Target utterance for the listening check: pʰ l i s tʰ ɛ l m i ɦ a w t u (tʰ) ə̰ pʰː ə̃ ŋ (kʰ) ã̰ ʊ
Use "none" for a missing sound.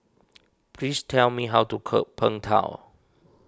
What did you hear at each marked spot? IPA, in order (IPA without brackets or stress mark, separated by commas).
kʰ, tʰ